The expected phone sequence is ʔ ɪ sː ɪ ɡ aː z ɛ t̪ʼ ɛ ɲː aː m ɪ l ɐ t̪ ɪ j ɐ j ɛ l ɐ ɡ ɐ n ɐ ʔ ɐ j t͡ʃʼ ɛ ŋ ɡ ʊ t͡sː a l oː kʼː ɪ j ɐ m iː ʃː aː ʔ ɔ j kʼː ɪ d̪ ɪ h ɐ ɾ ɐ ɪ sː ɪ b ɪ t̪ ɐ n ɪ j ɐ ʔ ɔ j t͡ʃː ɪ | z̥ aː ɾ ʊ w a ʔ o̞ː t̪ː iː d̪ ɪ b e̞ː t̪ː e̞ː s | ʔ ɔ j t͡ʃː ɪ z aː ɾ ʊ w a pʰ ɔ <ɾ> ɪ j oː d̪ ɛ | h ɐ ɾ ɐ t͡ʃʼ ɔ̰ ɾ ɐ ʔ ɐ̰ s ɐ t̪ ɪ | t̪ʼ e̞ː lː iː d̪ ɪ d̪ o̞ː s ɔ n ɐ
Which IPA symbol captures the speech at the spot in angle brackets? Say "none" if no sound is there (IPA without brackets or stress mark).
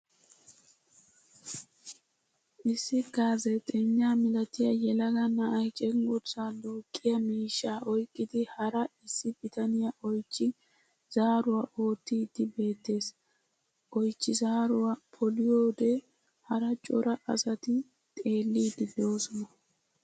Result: l